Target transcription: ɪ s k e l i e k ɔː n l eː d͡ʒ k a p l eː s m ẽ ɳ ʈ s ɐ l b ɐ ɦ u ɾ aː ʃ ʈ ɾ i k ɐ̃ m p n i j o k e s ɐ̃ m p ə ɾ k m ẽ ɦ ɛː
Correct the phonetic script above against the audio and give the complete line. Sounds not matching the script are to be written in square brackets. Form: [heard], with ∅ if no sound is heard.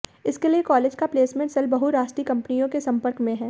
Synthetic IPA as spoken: ɪ s k e l i e k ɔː [∅] l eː d͡ʒ k a p l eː s m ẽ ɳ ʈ s ɐ l b ɐ ɦ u ɾ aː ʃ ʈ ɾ i k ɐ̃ m p n i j [õ] k e s ɐ̃ m p ə ɾ k m ẽ ɦ ɛː

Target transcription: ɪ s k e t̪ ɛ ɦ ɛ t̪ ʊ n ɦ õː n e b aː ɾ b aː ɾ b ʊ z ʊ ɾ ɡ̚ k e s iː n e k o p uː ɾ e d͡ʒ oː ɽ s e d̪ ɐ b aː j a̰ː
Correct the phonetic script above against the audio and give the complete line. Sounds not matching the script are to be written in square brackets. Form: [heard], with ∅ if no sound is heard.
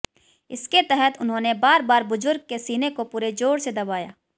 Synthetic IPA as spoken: ɪ s k e t̪ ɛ ɦ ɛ t̪ ʊ n ɦ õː n e b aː ɾ b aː ɾ b ʊ z ʊ ɾ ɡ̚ k e s iː n e k o p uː ɾ e d͡ʒ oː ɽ s e d̪ ɐ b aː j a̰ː

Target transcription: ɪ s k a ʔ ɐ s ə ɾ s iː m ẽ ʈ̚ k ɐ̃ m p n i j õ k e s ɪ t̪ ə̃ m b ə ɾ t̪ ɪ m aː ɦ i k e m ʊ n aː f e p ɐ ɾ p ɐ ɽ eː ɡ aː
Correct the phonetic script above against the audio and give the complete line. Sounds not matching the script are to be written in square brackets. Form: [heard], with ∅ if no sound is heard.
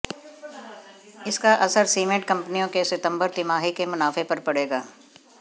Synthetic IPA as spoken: ɪ s k a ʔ ɐ s ə ɾ s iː m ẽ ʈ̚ k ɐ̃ m p n i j õ k e s ɪ t̪ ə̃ m b ə ɾ t̪ ɪ m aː ɦ i k e m ʊ n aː f e p ɐ ɾ p ɐ ɽ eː ɡ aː

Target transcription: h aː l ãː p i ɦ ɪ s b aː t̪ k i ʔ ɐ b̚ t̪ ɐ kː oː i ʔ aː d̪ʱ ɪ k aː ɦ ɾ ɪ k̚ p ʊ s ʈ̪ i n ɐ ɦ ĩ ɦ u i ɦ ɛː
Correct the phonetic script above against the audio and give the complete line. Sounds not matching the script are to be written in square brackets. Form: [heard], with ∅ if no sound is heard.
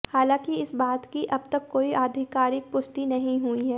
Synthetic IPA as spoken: h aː l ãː [k] i [∅] ɪ s b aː t̪ k i ʔ ɐ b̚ t̪ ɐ kː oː i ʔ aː d̪ʱ ɪ k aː [∅] ɾ ɪ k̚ p ʊ s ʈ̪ i n ɐ ɦ ĩ ɦ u i ɦ ɛː

